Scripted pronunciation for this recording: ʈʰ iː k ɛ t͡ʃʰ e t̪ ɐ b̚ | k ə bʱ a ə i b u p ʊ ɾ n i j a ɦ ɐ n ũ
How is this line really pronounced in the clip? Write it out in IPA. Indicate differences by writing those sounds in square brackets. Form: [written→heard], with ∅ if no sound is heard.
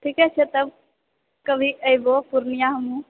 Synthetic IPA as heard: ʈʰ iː k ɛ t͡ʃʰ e t̪ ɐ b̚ | k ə bʱ [a→i] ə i b [u→o] p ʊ ɾ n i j a ɦ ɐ [n→m] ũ